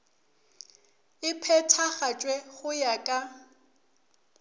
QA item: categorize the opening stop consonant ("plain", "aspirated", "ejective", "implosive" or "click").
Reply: aspirated